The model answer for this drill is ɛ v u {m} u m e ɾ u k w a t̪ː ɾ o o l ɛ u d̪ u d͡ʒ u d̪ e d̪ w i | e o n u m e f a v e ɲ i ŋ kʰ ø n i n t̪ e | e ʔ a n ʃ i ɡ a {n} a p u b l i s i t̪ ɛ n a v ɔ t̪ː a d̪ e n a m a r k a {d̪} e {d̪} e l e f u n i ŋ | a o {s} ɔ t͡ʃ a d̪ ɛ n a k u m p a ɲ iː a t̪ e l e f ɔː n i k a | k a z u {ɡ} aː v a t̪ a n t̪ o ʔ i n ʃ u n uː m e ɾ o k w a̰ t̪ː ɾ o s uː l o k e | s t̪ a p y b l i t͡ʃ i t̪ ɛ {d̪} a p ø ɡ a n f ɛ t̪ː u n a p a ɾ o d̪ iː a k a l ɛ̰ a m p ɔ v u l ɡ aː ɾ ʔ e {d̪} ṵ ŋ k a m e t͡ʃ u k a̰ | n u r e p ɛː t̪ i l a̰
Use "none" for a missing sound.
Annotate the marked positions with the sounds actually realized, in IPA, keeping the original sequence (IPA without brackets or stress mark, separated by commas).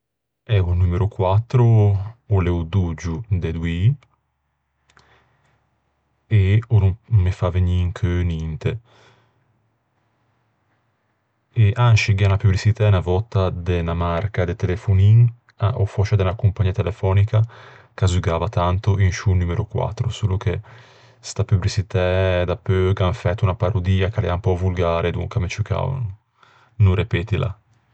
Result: n, n, d̪, t̪, f, ɡ, d̪, d̪